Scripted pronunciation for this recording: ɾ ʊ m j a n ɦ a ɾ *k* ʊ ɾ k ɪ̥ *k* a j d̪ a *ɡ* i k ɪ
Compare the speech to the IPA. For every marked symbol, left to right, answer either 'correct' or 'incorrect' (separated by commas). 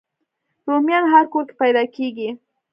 correct, incorrect, incorrect